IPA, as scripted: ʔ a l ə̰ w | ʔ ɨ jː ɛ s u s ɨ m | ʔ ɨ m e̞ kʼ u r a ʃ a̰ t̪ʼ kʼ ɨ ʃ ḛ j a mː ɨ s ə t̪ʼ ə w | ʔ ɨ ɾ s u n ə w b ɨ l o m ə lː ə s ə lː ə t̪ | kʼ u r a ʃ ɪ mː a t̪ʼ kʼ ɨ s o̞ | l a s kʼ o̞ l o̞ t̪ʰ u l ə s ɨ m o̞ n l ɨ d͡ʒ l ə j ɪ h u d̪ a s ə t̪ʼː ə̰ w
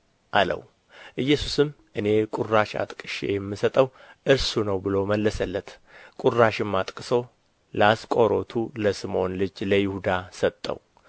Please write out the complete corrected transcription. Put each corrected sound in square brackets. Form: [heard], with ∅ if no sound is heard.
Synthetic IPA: ʔ a l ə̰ w | ʔ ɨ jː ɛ s u s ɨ m | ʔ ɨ [n] e̞ kʼ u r a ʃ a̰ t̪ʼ kʼ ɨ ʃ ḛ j [ɛ] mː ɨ s ə t̪ʼ ə w | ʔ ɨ ɾ s u n ə w b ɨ l o m ə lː ə s ə lː ə t̪ | kʼ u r a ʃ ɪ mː a t̪ʼ kʼ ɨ s o̞ | l a s kʼ o̞ [ɾ] o̞ t̪ʰ u l ə s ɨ m o̞ n l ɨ d͡ʒ l ə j ɪ h u d̪ a s ə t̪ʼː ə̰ w

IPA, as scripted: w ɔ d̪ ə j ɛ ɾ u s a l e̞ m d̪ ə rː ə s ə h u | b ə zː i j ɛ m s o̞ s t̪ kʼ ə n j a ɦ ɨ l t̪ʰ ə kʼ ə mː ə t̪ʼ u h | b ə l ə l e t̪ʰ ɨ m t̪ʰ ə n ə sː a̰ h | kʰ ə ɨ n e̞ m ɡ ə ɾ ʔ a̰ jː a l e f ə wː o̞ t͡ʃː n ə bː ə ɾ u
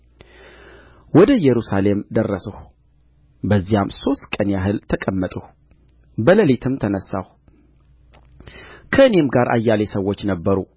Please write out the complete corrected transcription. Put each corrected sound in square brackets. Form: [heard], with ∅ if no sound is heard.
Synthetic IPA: w ɔ d̪ ə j ɛ ɾ u s a l e̞ m d̪ ə rː ə s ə h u | b ə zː i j [a] m s o̞ s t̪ kʼ ə n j a ɦ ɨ l t̪ʰ ə kʼ ə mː ə t̪ʼ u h | b ə l ə l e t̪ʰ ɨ m t̪ʰ ə n ə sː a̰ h | kʰ ə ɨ n e̞ m ɡ [a] ɾ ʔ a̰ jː a l e [s] ə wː o̞ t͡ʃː n ə bː ə ɾ u

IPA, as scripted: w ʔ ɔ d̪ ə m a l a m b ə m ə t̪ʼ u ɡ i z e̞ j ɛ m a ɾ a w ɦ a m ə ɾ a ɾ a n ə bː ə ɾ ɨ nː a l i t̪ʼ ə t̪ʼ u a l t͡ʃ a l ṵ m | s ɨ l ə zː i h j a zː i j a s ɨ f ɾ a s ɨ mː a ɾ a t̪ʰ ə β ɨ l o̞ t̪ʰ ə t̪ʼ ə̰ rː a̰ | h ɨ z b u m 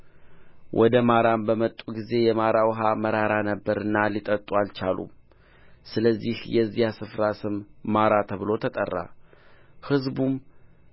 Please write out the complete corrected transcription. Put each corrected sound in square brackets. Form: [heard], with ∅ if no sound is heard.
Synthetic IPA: w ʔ ɔ d̪ ə m a [ɾ] a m b ə m ə t̪ʼ u ɡ i z e̞ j ɛ m a ɾ a w ɦ a m ə ɾ a ɾ a n ə bː ə ɾ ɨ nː a l i t̪ʼ ə t̪ʼ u a l t͡ʃ a l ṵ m | s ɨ l ə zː i h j [ɛ] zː i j a s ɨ f ɾ a s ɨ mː a ɾ a t̪ʰ ə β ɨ l o̞ t̪ʰ ə t̪ʼ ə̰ rː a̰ | h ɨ z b u m

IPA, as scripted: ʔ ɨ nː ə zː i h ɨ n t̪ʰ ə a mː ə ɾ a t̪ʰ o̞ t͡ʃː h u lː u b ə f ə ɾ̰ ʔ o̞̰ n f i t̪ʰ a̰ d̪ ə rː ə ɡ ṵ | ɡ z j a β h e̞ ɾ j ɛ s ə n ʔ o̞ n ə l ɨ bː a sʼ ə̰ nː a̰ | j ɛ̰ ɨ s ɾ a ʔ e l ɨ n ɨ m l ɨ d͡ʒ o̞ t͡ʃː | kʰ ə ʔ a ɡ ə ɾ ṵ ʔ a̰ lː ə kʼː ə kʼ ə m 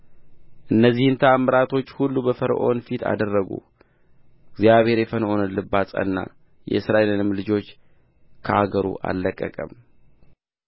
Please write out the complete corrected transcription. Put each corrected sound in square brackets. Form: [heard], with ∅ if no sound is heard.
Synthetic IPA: ʔ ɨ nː ə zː i h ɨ n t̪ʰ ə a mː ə ɾ a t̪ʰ o̞ t͡ʃː h u lː u b ə f ə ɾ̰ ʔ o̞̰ n f i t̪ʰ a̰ d̪ ə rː ə ɡ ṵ | ɡ z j a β h e̞ ɾ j ɛ [f] ə n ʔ o̞ n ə l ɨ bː a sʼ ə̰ nː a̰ | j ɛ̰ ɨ s ɾ a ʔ e l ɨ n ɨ m l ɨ d͡ʒ o̞ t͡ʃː | kʰ ə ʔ a ɡ ə ɾ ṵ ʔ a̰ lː ə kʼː ə kʼ ə m

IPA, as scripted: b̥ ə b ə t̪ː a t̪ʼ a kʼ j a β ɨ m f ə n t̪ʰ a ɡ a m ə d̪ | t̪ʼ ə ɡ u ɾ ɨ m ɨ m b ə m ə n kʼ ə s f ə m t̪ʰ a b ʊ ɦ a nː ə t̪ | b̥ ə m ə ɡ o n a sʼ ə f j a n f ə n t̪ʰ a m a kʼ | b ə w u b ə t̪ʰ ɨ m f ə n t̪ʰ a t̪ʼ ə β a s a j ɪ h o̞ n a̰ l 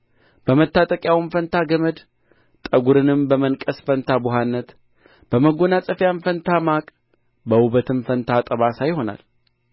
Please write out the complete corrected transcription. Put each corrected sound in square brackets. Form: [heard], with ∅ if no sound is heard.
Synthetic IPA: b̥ ə [m] ə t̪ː a t̪ʼ [ə] kʼ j a [w] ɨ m f ə n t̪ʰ a ɡ [ə] m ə d̪ | t̪ʼ ə ɡ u ɾ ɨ [n] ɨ m b ə m ə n kʼ ə s f ə [n] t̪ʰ a b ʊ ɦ a nː ə t̪ | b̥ ə m ə ɡ o n a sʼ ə f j a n f ə n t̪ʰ a m a kʼ | b ə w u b ə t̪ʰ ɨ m f ə n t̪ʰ a t̪ʼ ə β a s a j ɪ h o̞ n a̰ l

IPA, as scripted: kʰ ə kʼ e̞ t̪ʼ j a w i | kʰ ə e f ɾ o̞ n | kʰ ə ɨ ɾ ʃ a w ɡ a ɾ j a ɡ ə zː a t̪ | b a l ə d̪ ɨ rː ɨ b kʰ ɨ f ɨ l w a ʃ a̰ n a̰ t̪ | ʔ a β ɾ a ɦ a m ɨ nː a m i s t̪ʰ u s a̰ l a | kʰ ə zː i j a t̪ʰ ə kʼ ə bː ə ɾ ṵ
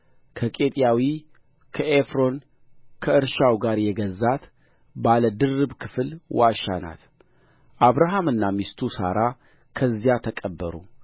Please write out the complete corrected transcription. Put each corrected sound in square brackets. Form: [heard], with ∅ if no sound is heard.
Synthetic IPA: kʰ ə kʼ e̞ t̪ʼ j a w i | kʰ ə e f ɾ o̞ n | kʰ ə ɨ ɾ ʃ a w ɡ a ɾ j [ɛ] ɡ ə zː a t̪ | b a l ə d̪ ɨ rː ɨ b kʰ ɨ f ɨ l w a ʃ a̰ n a̰ t̪ | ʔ a β ɾ a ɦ a m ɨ nː a m i s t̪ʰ u s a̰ [ɾ] a | kʰ ə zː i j a t̪ʰ ə kʼ ə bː ə ɾ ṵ

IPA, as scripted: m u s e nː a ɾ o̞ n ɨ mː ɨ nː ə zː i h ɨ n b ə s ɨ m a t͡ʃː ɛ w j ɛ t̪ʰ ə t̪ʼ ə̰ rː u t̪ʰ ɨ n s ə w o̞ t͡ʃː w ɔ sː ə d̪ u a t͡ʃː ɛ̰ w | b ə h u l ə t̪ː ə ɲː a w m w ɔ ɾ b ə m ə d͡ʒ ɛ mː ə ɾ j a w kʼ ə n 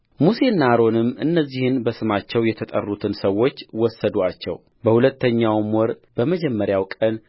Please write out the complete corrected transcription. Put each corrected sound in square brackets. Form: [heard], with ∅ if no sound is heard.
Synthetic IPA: m u s e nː a ɾ o̞ n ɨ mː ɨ nː ə zː i h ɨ n b ə s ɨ m a t͡ʃː ɛ w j ɛ t̪ʰ ə t̪ʼ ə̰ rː u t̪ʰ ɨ n s ə w o̞ t͡ʃː w ɔ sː ə d̪ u a t͡ʃː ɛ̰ w | b ə h u l ə t̪ː ə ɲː a w m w ɔ ɾ b ə m ə d͡ʒ ɛ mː ə ɾ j a w kʼ ə n

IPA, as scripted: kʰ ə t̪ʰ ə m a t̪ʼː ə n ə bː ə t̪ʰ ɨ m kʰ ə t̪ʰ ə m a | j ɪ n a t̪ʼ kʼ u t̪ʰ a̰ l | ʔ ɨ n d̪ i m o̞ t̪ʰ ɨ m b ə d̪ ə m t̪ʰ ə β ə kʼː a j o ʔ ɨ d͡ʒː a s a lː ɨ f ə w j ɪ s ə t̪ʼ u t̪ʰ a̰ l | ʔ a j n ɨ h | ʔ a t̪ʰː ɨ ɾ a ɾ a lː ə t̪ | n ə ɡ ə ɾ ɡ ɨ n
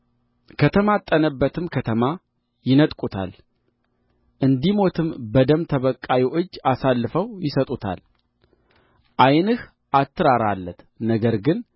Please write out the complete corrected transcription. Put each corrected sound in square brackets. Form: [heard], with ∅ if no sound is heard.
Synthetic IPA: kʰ ə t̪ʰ ə m a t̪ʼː ə n ə bː ə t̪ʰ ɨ m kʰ ə t̪ʰ ə m a | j ɪ n [ə] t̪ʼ kʼ u t̪ʰ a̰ l | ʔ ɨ n d̪ i m o̞ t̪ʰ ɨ m b ə d̪ ə m t̪ʰ ə β ə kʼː a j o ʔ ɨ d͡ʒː a s a lː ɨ f ə w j ɪ s ə t̪ʼ u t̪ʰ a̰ l | ʔ a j n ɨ h | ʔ a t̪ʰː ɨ ɾ a ɾ a lː ə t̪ | n ə ɡ ə ɾ ɡ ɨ n

